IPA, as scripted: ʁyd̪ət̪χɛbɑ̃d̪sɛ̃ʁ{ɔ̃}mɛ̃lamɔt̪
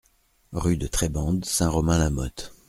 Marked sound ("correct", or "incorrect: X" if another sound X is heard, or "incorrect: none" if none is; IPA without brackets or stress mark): incorrect: ɔ